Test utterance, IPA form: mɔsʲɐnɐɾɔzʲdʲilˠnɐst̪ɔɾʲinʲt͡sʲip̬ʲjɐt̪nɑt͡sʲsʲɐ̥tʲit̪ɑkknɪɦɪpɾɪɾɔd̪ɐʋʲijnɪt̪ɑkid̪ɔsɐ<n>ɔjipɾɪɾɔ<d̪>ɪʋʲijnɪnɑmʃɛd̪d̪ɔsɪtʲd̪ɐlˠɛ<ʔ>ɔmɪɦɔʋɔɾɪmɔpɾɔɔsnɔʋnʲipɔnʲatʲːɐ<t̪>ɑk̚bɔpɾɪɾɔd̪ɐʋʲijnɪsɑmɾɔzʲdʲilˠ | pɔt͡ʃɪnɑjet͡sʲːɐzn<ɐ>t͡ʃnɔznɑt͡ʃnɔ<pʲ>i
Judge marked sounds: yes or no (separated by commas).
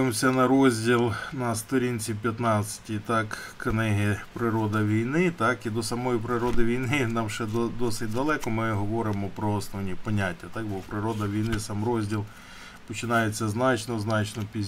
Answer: no, yes, no, yes, no, yes